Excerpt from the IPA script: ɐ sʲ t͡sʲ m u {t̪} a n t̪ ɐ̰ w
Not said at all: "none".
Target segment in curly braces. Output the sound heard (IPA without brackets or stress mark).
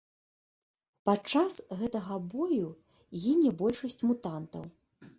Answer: t̪